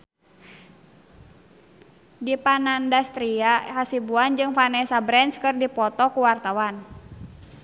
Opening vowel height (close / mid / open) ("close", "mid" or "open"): close